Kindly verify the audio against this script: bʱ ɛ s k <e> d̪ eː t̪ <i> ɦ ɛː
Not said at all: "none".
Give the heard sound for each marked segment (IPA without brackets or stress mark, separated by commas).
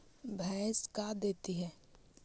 a, i